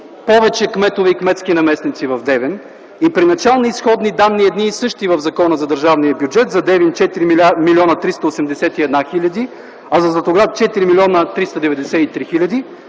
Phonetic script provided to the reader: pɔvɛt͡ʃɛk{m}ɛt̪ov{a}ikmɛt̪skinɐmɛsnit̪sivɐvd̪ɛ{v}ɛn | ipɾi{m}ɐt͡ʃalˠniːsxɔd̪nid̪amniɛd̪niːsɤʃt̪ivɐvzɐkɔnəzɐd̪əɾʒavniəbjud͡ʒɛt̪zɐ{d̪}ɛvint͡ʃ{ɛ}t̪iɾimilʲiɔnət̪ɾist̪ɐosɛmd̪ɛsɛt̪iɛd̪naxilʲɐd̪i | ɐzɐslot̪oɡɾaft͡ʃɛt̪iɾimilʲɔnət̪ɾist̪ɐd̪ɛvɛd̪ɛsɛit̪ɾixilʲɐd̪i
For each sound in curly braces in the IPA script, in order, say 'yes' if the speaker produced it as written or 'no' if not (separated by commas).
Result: yes, no, yes, no, yes, yes